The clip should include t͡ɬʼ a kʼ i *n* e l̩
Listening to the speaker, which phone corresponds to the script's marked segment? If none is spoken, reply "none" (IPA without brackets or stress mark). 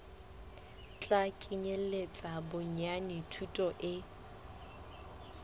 ɲ